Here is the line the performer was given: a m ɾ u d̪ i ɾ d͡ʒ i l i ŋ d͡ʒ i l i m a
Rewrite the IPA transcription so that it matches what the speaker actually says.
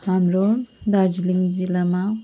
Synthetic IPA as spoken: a m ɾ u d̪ a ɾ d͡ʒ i l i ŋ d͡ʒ i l a m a